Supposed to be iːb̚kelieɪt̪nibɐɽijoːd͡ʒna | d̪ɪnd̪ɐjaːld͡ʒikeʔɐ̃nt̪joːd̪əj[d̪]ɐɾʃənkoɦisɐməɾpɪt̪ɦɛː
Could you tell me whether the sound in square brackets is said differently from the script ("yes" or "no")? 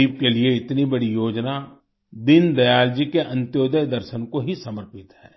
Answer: no